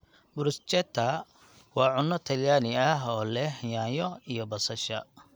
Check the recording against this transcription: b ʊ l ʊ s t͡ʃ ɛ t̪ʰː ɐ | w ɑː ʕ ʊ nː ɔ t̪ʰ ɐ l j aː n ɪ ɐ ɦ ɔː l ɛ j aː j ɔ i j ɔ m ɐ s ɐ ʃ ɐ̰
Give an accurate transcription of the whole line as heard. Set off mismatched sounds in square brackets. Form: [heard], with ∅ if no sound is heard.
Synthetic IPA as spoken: b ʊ [ɾ] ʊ s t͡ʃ ɛ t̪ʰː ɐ | w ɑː ʕ ʊ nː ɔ t̪ʰ ɐ l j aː n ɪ ɐ ɦ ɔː l ɛ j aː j ɔ i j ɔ [b] ɐ s ɐ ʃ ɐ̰